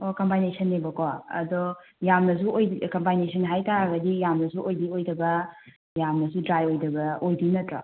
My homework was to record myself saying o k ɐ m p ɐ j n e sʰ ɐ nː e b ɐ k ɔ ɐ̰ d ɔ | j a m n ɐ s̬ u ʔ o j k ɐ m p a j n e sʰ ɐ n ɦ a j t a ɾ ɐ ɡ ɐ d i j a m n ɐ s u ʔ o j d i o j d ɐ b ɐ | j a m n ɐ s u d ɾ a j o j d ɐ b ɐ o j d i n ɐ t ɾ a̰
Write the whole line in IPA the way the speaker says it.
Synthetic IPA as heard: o k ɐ m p a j n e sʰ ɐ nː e b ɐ k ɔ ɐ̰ d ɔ | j a m n ɐ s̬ u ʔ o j k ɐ m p a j n e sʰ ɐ n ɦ a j t a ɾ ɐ ɡ ɐ d i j a m n ɐ s u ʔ o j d i o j d ɐ b ɐ | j a m n ɐ s u d ɾ a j o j d ɐ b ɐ o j d i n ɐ t ɾ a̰